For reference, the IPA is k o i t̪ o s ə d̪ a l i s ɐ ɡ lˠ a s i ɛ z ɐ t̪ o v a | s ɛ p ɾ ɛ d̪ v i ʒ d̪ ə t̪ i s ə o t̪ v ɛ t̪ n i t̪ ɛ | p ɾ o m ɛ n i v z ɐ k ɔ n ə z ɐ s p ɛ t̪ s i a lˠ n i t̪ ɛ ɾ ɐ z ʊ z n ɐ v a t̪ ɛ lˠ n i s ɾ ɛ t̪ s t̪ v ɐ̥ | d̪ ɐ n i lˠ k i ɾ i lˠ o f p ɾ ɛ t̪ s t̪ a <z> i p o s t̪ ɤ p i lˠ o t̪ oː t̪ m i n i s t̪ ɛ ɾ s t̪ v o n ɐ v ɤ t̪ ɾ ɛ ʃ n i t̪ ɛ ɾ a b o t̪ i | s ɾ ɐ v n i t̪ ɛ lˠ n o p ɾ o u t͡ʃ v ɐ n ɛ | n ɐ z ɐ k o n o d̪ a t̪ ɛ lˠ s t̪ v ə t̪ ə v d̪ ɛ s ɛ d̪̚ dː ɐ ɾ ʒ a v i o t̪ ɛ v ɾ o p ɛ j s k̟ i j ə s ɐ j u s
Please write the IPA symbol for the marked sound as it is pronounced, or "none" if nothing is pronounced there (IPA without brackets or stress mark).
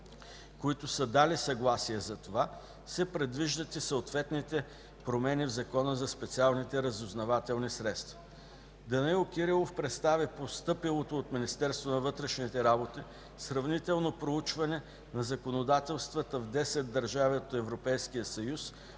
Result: v